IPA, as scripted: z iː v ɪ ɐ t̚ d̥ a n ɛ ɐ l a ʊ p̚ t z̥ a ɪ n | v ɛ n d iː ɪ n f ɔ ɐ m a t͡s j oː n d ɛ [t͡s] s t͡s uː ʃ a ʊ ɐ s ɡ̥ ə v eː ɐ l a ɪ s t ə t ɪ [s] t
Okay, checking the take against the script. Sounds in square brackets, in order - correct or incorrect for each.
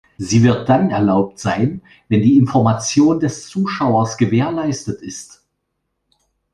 incorrect: none, correct

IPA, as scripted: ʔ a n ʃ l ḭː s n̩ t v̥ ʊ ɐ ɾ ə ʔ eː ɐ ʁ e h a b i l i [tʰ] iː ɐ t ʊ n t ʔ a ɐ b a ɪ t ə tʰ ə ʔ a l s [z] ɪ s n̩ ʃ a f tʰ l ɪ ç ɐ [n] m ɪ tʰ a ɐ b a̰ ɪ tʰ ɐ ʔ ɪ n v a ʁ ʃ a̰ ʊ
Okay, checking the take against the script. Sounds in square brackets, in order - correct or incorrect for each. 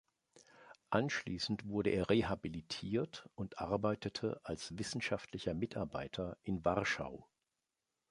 correct, incorrect: v, incorrect: none

